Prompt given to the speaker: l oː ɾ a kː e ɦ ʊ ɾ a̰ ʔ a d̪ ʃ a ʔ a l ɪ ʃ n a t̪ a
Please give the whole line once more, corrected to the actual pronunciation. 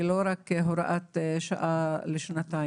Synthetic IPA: l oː ɾ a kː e ɦ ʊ ɾ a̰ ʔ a t̪ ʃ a ʔ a l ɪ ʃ n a t̪ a